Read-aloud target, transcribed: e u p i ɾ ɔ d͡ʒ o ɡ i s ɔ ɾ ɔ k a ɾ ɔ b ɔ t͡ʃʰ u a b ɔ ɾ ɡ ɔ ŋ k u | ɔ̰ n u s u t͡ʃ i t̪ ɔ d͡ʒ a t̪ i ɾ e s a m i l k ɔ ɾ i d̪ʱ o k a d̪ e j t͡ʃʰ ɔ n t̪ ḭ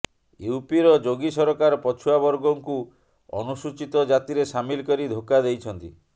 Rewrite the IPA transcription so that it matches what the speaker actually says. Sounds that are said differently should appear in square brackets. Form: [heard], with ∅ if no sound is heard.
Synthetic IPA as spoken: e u p i ɾ ɔ d͡ʒ o ɡ i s ɔ ɾ ɔ k a ɾ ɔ [p] ɔ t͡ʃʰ u a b ɔ ɾ ɡ ɔ ŋ k u | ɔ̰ n u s u t͡ʃ i t̪ ɔ d͡ʒ a t̪ i ɾ e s a m i l k ɔ ɾ i d̪ʱ o k a d̪ e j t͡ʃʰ ɔ n t̪ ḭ